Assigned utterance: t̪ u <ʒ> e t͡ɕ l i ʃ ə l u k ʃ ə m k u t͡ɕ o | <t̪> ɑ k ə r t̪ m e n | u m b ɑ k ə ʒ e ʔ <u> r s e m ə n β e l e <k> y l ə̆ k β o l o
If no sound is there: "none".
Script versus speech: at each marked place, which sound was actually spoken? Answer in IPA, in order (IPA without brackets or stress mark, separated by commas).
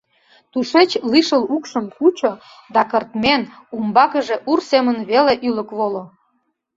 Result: ʃ, d̪, u, ʔ